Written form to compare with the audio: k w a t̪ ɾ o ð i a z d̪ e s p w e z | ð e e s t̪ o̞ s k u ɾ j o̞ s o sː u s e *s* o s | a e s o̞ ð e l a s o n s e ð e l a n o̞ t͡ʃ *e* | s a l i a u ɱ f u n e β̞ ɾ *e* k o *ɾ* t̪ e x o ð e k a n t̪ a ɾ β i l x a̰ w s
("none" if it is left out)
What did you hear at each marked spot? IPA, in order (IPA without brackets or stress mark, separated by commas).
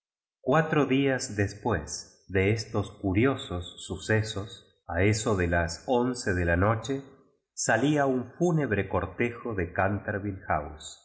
s, e, e, ɾ